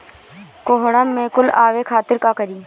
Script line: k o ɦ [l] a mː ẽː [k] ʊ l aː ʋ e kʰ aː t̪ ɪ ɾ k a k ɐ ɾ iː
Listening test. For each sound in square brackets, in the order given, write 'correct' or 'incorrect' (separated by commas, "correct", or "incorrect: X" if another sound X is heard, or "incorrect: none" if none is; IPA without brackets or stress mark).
incorrect: ɽ, correct